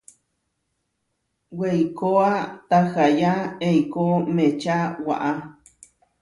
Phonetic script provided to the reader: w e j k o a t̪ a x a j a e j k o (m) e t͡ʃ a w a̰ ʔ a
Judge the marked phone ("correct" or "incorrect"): correct